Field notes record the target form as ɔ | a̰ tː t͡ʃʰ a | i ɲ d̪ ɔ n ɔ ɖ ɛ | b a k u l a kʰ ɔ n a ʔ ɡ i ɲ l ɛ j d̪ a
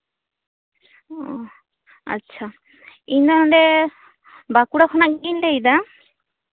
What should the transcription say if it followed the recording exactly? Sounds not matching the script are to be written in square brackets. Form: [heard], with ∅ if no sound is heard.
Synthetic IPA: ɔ | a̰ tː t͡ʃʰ a | i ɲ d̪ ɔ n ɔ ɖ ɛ | b a k u [ɽ] a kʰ ɔ n a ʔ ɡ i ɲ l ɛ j d̪ a

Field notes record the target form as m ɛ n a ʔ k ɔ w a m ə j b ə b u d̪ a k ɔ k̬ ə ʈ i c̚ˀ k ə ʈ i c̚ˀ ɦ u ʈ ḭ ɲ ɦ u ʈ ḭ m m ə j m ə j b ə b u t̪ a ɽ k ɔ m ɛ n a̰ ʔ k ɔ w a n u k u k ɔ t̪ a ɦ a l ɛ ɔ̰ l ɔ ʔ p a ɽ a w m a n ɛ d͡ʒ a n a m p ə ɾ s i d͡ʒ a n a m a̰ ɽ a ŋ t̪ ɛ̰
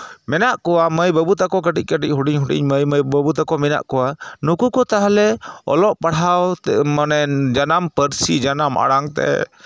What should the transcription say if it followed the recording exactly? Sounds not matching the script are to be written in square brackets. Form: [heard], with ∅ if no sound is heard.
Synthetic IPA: m ɛ n a ʔ k ɔ w a m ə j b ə b u [t̪] a k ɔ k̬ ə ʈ i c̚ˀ k ə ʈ i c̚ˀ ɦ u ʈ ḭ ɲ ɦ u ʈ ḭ [ɲ] m ə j m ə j b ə b u t̪ a [∅] k ɔ m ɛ n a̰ ʔ k ɔ w a n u k u k ɔ t̪ a ɦ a l ɛ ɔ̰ l ɔ ʔ p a ɽ a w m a n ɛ d͡ʒ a n a m p ə ɾ s i d͡ʒ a n a m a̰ ɽ a ŋ t̪ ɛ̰

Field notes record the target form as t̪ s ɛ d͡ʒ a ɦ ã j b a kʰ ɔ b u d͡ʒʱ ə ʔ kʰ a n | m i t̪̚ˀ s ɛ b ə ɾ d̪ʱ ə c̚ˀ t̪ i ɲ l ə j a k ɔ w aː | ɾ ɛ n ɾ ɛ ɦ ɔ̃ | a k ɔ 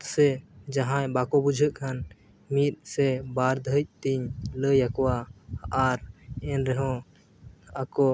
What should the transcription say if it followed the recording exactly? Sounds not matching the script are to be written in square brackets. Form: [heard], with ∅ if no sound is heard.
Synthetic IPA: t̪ s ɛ d͡ʒ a ɦ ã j b a [k] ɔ b u d͡ʒʱ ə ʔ kʰ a n | m i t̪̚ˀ s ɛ b [a] ɾ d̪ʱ ə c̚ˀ t̪ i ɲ l ə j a k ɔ w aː | ɾ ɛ n ɾ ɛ ɦ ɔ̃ | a k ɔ

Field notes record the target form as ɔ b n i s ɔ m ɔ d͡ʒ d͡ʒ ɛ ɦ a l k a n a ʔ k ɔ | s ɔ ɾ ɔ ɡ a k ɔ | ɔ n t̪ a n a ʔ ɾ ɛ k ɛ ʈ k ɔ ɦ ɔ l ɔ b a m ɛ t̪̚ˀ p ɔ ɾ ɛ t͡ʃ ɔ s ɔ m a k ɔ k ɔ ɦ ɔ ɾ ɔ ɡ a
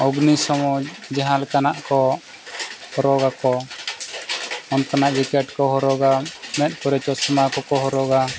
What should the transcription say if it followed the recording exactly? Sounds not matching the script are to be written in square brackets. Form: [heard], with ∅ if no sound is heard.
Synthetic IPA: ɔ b n i s ɔ m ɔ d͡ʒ d͡ʒ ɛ ɦ a l k a n a ʔ k ɔ | [h] ɔ ɾ ɔ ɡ a k ɔ | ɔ n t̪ a n a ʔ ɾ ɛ k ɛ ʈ k ɔ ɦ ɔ [ɾ] ɔ [ɡ] a m ɛ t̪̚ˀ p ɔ ɾ ɛ t͡ʃ ɔ s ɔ m a k ɔ k ɔ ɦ ɔ ɾ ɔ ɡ a

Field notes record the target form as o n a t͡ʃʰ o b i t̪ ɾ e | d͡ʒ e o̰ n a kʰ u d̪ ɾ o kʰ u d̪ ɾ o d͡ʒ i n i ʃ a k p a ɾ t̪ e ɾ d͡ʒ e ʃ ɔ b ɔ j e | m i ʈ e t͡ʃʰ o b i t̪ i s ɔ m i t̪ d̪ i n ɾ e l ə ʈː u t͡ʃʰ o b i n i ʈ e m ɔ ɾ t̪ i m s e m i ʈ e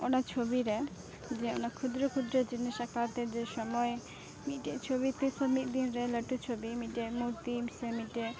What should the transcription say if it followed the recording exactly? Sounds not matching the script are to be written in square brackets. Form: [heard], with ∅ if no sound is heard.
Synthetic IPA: o n a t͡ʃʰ o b i [∅] ɾ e | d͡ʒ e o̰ n a kʰ u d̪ ɾ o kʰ u d̪ ɾ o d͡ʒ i n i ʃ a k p a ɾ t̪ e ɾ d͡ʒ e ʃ ɔ [m] ɔ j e | m i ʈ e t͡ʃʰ o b i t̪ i s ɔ m i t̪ d̪ i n ɾ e l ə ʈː u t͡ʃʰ o b i [m] i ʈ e m [u] ɾ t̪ i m s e m i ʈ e

